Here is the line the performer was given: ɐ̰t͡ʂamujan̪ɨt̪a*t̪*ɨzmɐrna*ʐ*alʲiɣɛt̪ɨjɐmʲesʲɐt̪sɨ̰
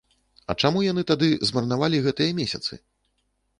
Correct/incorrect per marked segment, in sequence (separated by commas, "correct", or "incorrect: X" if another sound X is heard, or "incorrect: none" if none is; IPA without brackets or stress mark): incorrect: d̪, incorrect: v